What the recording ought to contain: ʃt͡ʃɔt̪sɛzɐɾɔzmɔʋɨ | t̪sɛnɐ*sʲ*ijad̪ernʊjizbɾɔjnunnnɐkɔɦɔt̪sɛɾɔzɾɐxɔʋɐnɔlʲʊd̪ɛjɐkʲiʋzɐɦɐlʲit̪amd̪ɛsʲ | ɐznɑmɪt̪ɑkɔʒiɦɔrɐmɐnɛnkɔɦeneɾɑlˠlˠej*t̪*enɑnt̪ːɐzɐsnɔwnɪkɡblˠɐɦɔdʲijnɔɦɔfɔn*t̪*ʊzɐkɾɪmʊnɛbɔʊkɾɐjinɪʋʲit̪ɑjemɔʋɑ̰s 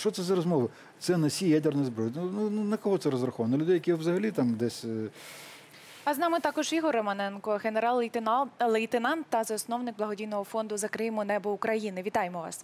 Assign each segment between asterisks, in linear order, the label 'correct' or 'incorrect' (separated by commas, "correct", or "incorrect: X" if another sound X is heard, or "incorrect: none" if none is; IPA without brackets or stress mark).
correct, correct, incorrect: d̪